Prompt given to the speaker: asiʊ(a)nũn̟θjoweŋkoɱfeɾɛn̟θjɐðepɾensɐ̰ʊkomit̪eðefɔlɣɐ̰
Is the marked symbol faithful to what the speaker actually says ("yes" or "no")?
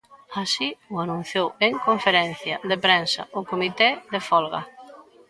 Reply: yes